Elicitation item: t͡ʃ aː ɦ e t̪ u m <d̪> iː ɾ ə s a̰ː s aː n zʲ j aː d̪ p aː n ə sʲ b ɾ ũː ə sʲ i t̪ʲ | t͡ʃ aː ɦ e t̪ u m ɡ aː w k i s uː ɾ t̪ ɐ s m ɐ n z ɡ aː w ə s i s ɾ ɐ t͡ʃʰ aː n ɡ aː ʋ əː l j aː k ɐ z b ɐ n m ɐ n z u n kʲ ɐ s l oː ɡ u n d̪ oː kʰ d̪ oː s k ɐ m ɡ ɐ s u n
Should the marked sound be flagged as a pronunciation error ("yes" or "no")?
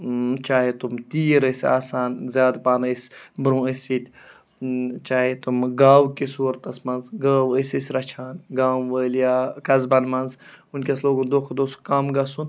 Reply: yes